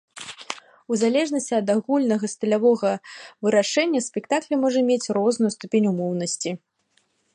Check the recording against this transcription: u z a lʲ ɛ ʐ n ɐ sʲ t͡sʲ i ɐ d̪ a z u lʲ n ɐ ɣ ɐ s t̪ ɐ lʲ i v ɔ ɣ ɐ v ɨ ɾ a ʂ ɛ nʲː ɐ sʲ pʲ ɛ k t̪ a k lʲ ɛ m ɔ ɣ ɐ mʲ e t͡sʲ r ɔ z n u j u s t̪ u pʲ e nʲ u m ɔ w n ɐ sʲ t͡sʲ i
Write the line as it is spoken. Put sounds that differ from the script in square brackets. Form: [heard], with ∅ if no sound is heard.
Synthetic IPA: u z a lʲ ɛ ʐ n ɐ sʲ t͡sʲ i ɐ d̪ a [ɣ] u lʲ n ɐ ɣ ɐ s t̪ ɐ lʲ [a] v ɔ ɣ ɐ v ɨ ɾ a ʂ ɛ nʲː ɐ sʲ pʲ ɛ k t̪ a k lʲ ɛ m ɔ [ʐ] ɐ mʲ e t͡sʲ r ɔ z n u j u s t̪ u pʲ e nʲ u m ɔ w n ɐ sʲ t͡sʲ i